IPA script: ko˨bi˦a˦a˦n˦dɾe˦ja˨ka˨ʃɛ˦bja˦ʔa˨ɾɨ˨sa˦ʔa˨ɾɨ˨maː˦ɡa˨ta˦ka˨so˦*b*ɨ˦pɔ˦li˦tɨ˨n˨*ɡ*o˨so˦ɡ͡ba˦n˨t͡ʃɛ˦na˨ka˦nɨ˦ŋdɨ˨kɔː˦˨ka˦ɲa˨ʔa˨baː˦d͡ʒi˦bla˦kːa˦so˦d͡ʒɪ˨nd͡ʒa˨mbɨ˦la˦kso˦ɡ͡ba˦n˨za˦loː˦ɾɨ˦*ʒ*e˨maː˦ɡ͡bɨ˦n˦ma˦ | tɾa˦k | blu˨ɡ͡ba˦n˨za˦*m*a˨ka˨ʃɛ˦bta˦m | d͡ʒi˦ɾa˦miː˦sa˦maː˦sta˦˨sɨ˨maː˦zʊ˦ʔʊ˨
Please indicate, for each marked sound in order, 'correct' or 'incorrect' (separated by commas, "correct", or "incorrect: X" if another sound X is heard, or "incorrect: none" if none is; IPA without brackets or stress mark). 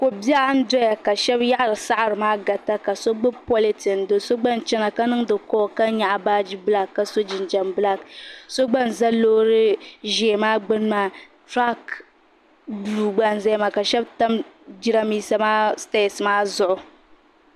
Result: incorrect: ɡ͡b, incorrect: d, correct, correct